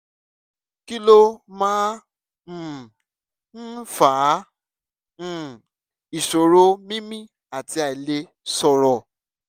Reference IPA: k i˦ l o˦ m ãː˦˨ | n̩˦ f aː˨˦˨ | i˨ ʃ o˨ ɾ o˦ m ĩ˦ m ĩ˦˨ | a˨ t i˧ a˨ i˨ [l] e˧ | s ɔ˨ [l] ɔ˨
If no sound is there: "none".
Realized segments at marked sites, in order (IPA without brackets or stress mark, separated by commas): l, ɾ